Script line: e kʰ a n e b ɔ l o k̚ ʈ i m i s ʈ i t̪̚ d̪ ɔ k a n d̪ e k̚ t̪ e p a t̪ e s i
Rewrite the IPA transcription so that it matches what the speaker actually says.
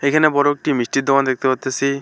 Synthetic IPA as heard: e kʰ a n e b ɔ ɾ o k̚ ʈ i m i s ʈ i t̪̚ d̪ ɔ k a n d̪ e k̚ t̪ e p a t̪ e s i